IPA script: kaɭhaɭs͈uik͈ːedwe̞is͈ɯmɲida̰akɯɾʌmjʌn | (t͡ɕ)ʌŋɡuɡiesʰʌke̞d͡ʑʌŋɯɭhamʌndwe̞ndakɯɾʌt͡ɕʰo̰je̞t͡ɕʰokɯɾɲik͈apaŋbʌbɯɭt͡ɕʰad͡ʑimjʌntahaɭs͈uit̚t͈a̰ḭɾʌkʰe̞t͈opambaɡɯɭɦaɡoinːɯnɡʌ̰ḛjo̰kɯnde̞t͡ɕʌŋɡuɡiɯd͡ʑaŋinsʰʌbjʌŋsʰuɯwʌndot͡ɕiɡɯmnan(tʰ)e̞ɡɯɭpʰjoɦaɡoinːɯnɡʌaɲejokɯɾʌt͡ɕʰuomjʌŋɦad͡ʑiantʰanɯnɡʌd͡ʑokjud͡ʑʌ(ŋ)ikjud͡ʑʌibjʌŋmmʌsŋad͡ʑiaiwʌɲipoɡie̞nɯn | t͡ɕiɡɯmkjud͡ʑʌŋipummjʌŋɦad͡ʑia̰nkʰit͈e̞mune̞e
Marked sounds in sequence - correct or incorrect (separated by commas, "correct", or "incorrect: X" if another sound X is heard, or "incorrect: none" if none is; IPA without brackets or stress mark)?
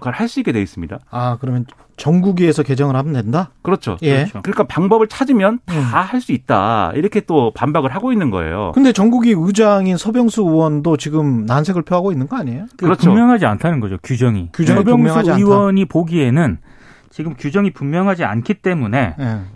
correct, incorrect: sʰ, correct